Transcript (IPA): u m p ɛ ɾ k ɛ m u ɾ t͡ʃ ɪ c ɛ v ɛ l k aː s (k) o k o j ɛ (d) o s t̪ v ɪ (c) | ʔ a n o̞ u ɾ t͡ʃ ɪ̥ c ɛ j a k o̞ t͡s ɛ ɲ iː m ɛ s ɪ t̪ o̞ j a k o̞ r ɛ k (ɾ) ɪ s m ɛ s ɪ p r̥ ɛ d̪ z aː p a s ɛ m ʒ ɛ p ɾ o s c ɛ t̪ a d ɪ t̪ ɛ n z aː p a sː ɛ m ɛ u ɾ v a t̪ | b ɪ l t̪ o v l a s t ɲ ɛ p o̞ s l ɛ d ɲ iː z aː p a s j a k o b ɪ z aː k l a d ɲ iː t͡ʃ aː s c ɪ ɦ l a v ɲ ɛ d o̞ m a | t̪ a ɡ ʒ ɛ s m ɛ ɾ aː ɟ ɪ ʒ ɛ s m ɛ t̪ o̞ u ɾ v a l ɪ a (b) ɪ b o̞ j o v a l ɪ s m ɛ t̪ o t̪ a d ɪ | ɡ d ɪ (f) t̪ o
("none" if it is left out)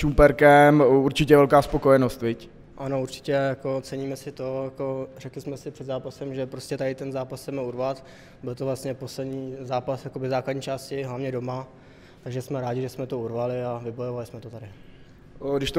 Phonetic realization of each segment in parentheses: p, n, c, l, v, ʃ

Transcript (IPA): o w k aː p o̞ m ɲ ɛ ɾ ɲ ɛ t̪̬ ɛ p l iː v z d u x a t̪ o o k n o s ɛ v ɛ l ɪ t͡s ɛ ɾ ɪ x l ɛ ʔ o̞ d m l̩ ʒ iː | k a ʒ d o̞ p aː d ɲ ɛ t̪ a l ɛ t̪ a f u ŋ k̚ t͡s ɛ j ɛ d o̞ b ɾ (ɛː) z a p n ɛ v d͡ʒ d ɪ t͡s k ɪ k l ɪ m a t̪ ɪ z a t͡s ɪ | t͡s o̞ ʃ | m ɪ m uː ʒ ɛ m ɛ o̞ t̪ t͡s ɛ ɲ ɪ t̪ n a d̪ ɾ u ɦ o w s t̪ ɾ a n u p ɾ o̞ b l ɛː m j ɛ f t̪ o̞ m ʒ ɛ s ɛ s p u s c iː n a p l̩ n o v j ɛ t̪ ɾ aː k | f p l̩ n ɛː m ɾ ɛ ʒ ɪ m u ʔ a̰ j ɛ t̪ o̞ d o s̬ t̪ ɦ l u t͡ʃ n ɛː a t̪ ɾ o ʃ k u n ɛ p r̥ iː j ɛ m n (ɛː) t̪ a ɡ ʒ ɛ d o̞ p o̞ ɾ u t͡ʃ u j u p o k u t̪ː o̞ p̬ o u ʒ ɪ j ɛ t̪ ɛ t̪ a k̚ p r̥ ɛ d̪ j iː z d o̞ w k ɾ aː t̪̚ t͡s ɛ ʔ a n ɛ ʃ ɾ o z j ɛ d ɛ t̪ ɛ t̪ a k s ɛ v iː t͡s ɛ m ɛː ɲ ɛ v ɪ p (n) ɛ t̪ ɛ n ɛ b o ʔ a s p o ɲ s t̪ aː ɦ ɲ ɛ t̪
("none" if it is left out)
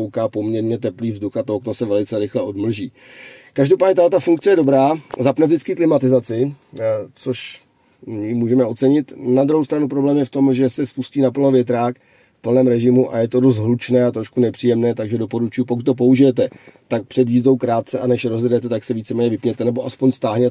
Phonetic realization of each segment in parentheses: aː, ɛː, ɲ

